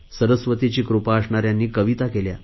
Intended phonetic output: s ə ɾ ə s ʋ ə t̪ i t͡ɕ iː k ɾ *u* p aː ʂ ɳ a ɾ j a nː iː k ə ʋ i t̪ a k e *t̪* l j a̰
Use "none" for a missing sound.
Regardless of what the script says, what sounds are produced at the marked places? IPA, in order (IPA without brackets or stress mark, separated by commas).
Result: u, none